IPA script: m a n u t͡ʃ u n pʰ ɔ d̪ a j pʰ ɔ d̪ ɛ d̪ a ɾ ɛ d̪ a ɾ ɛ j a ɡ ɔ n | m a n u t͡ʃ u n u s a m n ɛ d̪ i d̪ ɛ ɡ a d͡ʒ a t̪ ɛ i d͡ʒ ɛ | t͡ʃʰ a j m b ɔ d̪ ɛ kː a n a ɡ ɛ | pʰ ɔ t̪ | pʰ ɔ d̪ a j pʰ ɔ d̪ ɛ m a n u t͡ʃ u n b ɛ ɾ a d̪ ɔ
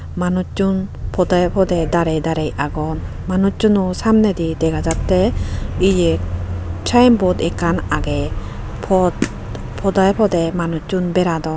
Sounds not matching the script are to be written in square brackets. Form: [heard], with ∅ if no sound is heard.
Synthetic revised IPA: m a n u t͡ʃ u n pʰ ɔ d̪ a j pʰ ɔ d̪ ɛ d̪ a ɾ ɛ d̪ a ɾ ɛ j a ɡ ɔ n | m a n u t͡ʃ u n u s a m n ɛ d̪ i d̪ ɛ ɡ a d͡ʒ a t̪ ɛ i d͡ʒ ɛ | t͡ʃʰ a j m b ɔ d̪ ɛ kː a n a ɡ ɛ | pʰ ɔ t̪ | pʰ ɔ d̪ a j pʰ ɔ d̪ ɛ m a n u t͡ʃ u n b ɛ ɾ a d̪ ɔ